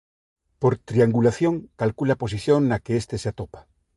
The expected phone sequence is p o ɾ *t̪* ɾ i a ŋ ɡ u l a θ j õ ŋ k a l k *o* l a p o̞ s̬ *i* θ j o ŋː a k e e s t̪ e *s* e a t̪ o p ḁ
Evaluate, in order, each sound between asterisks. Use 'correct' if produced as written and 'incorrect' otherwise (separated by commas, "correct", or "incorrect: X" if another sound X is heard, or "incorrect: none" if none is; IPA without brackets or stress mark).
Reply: correct, incorrect: u, correct, correct